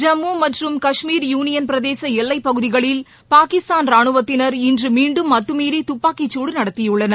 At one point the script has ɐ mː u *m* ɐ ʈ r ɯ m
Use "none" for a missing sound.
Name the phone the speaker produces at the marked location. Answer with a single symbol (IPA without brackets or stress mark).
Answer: m